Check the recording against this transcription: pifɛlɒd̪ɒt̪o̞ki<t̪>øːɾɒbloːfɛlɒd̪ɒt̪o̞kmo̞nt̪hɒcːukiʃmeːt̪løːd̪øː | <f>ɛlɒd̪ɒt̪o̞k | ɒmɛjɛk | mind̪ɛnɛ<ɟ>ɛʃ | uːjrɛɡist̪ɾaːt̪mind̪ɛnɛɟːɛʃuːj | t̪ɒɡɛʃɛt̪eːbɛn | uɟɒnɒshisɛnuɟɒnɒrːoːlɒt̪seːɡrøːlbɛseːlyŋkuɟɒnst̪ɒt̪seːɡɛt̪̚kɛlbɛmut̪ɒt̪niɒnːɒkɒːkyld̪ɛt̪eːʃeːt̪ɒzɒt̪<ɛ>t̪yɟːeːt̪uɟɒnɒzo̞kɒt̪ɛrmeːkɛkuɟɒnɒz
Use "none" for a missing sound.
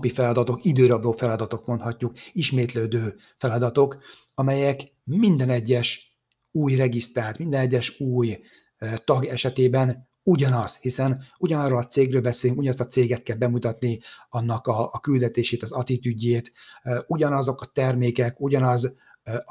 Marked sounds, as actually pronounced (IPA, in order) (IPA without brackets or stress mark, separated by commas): d̪, f, ɟː, i